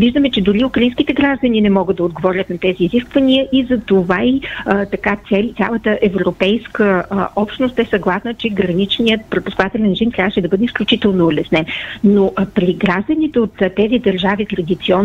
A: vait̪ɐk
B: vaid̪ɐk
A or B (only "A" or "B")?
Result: A